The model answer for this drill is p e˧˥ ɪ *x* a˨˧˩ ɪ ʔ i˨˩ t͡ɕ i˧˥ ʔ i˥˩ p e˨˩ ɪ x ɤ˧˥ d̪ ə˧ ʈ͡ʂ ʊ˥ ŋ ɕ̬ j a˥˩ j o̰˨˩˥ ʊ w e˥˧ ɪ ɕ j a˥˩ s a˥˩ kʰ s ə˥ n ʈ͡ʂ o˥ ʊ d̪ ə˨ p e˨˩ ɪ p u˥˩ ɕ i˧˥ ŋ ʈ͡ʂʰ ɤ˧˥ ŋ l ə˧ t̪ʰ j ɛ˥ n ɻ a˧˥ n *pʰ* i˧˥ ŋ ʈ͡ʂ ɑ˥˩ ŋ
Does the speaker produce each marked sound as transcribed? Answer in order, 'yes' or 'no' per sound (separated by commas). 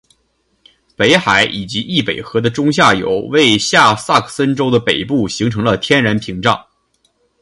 yes, yes